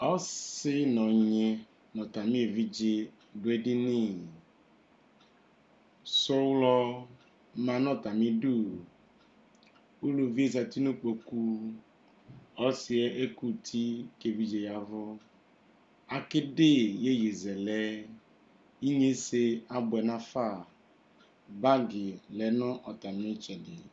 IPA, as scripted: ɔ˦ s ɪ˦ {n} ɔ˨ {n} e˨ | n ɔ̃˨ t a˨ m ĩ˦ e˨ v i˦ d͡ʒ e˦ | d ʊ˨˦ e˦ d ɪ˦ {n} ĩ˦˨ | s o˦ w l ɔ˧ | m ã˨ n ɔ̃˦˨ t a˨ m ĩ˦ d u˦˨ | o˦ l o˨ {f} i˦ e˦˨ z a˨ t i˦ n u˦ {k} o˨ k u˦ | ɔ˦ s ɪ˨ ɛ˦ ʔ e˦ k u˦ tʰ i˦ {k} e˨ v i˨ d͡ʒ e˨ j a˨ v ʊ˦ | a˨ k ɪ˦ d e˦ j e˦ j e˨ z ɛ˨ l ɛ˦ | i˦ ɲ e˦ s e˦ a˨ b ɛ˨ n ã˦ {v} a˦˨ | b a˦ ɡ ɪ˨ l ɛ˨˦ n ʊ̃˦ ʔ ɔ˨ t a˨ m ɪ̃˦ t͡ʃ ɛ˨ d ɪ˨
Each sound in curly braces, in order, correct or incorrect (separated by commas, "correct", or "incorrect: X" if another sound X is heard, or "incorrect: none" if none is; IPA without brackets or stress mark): correct, incorrect: ɲ, correct, incorrect: v, incorrect: k͡p, correct, incorrect: f